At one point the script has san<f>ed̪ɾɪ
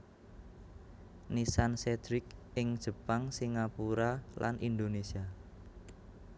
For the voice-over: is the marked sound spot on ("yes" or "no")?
no